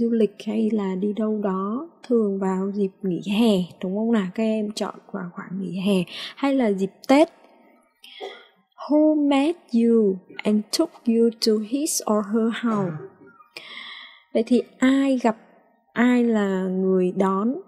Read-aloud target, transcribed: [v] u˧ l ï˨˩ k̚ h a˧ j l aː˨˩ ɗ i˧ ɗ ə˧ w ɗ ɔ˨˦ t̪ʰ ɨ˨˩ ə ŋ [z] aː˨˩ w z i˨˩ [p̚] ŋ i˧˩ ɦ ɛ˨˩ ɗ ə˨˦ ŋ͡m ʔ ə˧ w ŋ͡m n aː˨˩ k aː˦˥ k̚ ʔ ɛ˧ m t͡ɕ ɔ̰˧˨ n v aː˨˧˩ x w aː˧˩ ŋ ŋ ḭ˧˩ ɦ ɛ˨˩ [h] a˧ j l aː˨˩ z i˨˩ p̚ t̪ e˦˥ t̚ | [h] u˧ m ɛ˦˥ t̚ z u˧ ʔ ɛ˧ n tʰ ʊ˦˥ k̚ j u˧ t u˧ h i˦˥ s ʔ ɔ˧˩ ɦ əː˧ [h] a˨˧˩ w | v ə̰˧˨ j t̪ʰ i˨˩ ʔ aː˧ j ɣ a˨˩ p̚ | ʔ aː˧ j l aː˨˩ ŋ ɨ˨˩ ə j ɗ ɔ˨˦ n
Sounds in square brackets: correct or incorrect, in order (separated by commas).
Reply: incorrect, incorrect, correct, correct, correct, correct